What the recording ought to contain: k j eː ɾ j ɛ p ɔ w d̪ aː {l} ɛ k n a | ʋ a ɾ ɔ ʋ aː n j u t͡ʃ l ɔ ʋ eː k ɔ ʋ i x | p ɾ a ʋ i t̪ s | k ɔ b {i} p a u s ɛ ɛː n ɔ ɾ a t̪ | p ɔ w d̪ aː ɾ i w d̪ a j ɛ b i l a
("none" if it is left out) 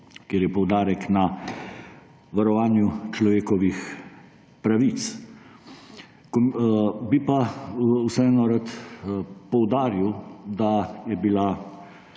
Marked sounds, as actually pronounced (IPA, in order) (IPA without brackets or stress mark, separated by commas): ɾ, i